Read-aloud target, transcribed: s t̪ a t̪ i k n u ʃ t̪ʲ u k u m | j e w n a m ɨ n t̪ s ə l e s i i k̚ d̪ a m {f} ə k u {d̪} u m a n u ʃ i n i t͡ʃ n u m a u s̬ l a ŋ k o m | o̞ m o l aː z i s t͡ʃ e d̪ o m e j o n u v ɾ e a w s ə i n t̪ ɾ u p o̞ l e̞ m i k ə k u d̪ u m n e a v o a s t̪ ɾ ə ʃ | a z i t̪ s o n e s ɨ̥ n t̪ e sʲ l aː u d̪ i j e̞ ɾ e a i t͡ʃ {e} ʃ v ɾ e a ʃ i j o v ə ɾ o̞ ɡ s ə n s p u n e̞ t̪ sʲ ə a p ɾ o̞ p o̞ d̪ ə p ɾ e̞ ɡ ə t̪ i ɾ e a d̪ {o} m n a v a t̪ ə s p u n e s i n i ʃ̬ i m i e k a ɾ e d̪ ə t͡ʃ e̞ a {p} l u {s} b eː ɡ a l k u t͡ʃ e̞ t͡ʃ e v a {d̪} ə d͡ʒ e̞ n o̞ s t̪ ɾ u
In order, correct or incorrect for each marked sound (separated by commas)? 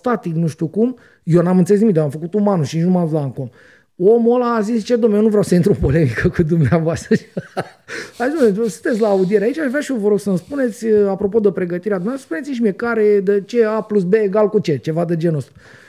correct, incorrect, incorrect, incorrect, correct, correct, correct